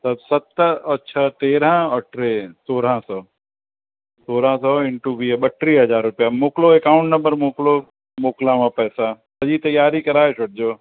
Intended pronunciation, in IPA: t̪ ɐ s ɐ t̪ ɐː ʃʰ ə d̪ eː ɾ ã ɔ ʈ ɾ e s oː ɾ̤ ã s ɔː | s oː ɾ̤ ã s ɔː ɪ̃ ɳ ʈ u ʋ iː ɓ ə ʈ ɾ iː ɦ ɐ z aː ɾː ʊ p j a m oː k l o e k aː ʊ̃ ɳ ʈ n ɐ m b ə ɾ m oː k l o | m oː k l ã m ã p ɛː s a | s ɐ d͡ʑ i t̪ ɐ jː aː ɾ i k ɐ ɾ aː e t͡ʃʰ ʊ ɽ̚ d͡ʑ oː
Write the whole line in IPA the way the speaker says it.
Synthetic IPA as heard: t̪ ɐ s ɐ t̪ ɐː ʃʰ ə t̪ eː ɾ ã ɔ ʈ ɾ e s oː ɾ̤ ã s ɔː | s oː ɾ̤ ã s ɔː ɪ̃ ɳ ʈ u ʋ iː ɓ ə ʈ ɾ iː ɦ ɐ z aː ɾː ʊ p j a m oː k l o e k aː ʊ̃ ɳ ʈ n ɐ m b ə ɾ m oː k l o | m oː k l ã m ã p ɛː s a | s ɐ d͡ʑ i t̪ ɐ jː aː ɾ i k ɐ ɾ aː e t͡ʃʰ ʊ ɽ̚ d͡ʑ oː